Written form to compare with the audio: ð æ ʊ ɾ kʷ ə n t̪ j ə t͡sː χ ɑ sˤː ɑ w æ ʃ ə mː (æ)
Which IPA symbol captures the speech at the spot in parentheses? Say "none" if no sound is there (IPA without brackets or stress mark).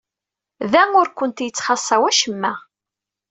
æ